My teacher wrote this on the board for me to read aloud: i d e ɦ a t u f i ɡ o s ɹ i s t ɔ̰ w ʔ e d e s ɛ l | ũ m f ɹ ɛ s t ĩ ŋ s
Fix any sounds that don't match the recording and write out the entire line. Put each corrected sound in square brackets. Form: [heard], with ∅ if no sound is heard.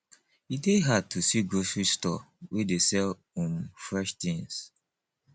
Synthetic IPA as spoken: i d e ɦ a t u [s] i ɡ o s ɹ i s t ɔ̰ w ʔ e d e s ɛ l | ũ m f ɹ ɛ [ʃ] t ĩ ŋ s